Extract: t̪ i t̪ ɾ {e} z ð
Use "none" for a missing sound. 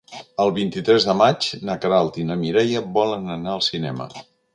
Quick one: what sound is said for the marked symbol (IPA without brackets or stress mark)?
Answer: ɛ